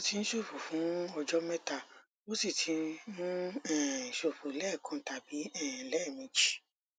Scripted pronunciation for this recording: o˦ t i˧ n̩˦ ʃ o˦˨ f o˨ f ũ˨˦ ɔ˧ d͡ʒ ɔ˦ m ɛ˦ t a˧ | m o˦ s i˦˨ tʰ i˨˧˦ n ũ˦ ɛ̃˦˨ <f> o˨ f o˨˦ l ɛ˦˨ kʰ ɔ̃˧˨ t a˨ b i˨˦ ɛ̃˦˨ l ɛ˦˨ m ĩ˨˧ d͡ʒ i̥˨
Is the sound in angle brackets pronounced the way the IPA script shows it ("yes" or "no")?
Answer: no